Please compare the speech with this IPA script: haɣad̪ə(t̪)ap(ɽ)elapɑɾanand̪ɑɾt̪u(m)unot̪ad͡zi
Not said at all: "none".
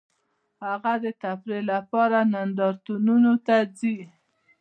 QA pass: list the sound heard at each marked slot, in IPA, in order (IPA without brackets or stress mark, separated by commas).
t̪, ɾ, n